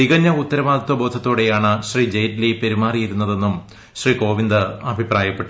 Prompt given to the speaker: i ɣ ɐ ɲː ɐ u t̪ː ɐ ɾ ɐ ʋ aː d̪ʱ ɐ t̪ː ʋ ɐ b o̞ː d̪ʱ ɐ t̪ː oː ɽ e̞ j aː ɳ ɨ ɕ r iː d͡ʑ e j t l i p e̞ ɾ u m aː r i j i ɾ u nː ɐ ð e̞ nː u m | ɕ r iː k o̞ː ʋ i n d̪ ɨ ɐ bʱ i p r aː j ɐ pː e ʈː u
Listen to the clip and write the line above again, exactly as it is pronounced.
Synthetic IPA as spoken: i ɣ ɐ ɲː ɐ u t̪ː ɐ ɾ ɐ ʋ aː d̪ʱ ɐ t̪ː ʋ ɐ b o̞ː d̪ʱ ɐ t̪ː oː ɽ e̞ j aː ɳ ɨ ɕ r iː d͡ʑ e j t l i p e̞ ɾ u m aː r i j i ɾ u nː ɐ ð e̞ nː u m | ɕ r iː k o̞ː ʋ i n d̪ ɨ ɐ bʱ i p r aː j ɐ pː e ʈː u